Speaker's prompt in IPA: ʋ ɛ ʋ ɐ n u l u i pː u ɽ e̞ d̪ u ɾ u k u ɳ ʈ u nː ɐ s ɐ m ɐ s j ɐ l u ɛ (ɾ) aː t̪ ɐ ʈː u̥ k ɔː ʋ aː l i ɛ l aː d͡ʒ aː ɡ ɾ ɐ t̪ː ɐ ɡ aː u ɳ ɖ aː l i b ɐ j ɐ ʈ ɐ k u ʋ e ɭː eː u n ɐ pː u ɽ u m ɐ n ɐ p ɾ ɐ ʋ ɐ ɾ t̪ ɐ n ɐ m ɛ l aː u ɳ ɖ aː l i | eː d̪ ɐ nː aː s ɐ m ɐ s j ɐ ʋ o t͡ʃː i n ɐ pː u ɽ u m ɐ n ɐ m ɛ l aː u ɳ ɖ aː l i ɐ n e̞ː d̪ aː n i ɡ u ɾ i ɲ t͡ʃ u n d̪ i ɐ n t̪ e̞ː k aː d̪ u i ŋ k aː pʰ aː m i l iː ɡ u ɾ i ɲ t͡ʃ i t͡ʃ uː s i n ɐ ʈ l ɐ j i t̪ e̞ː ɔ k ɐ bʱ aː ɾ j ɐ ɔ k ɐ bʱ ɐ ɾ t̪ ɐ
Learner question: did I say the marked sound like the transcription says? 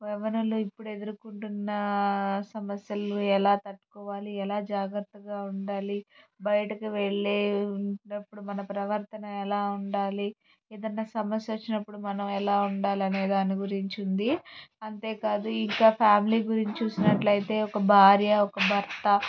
no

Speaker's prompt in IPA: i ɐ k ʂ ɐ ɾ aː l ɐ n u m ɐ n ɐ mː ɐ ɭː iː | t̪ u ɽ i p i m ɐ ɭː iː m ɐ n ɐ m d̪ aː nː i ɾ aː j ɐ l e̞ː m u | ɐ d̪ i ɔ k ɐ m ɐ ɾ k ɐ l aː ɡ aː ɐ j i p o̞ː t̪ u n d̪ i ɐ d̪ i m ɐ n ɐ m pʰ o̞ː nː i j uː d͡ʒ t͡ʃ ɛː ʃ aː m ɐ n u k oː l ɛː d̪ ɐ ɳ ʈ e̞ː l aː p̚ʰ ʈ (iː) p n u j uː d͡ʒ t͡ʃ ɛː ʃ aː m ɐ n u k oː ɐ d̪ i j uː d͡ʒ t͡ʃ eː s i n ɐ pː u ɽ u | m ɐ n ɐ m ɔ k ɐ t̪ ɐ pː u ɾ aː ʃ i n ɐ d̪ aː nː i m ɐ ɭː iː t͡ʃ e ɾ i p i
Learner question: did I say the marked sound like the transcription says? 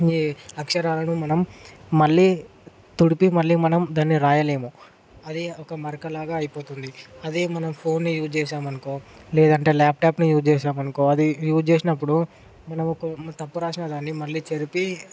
no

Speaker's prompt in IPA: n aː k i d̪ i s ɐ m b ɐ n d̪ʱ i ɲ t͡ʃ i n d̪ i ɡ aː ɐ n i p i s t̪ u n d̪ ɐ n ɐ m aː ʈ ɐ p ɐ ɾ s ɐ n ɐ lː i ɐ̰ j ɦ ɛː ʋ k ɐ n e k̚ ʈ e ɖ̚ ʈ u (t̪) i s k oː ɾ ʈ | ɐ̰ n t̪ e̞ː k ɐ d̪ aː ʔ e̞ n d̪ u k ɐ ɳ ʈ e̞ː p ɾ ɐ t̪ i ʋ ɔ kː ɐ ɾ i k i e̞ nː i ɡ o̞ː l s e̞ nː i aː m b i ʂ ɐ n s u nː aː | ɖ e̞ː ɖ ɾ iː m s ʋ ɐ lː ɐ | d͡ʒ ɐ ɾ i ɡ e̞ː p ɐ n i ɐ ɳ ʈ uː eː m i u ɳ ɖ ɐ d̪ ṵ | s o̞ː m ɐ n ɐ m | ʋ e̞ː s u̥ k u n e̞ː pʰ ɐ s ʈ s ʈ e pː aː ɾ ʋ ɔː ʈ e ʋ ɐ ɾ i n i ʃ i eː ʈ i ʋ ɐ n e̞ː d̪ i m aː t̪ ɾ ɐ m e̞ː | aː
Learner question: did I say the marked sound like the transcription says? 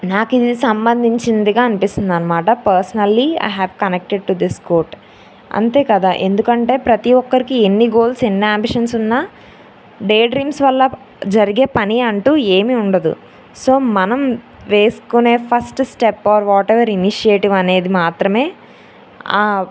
no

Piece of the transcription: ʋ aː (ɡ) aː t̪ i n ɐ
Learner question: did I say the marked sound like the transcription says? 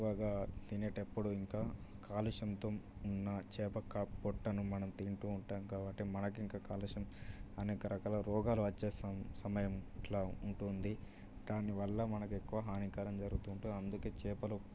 yes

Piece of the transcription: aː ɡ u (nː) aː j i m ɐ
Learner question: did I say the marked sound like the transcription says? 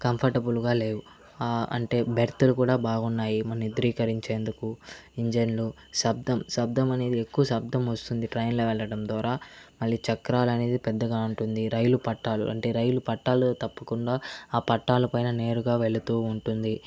yes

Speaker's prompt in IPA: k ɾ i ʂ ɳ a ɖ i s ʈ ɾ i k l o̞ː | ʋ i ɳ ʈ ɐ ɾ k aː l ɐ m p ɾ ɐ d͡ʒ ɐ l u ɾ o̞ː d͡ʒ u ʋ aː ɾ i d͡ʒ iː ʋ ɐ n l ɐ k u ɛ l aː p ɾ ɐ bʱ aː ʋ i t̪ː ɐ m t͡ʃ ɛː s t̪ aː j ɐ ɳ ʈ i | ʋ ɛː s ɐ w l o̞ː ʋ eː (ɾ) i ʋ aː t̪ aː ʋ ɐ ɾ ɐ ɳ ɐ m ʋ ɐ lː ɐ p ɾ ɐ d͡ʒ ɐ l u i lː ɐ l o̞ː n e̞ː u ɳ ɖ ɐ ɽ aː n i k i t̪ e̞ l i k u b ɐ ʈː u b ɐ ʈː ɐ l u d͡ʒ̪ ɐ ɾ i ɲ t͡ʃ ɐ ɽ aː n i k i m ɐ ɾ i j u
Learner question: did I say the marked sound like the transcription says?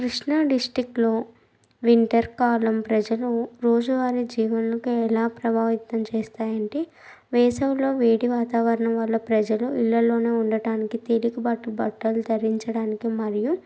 no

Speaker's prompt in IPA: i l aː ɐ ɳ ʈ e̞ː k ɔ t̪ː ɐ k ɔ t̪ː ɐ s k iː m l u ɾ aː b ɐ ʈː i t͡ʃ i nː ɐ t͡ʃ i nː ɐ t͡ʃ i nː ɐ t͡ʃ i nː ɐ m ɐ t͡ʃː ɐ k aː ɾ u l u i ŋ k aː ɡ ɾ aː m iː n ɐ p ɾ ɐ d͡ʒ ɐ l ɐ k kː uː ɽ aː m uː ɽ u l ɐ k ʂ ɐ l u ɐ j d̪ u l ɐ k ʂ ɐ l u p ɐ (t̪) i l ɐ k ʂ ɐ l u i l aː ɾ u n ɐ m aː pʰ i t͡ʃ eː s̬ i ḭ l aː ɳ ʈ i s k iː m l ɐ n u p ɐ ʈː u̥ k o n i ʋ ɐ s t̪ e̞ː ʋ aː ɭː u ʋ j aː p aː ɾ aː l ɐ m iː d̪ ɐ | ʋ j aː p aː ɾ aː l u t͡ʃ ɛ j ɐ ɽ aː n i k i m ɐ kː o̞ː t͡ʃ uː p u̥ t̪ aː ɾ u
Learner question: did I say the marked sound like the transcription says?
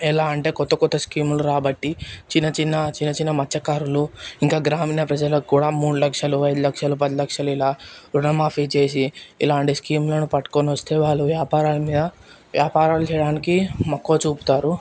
no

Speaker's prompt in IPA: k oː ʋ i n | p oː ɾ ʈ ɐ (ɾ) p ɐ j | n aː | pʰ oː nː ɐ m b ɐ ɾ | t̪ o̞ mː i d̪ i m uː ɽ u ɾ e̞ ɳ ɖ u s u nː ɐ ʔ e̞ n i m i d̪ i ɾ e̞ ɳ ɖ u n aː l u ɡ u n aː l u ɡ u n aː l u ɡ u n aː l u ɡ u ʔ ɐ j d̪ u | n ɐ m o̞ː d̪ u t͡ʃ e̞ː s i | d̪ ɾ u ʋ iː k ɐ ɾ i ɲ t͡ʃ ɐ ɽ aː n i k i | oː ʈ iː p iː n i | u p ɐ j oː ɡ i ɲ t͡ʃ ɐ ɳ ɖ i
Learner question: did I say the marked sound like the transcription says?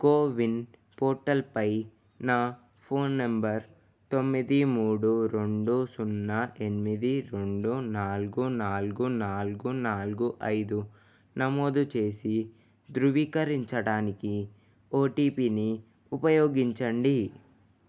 no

